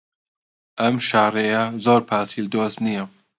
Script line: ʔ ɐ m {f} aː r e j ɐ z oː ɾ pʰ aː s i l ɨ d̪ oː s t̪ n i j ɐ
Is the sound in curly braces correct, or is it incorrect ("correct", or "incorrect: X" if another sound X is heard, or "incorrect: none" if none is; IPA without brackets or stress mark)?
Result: incorrect: ʃ